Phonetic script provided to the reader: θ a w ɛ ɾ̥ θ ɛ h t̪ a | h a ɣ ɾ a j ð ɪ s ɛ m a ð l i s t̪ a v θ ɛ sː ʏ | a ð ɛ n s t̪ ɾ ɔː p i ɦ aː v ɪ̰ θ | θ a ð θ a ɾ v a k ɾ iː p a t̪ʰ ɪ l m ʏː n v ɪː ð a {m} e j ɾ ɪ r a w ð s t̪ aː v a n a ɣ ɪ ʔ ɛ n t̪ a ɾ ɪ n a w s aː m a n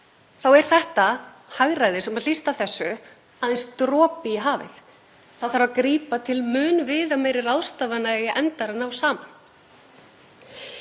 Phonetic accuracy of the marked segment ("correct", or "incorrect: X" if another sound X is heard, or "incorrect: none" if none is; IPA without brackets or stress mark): correct